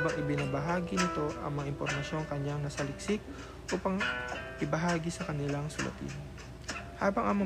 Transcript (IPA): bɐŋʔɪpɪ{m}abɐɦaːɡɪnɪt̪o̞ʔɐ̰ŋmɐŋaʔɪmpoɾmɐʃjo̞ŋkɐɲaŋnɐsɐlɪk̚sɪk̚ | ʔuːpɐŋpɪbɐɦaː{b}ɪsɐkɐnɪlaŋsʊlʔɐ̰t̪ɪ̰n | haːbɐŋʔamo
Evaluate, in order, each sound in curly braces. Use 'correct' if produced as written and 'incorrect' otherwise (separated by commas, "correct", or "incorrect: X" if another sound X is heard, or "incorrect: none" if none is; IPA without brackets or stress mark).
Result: incorrect: n, incorrect: ɡ